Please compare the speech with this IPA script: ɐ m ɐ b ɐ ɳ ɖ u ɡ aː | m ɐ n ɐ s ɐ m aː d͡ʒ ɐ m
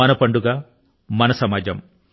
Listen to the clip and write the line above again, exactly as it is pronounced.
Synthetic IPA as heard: ɐ n ɐ p ɐ ɳ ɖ u ɡ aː | m ɐ n ɐ s ɐ m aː d͡ʒ ɐ m